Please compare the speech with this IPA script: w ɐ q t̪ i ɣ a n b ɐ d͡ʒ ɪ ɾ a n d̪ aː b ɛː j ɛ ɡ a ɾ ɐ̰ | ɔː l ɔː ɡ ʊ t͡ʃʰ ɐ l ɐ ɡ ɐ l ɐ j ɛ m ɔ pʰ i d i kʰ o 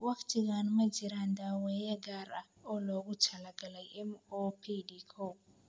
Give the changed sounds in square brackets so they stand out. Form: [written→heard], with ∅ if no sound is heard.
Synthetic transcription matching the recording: w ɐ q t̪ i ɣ a n [b→m] ɐ d͡ʒ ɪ ɾ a n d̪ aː [b→w] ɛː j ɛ ɡ a ɾ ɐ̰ | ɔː l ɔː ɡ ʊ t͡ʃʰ ɐ l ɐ ɡ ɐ l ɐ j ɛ m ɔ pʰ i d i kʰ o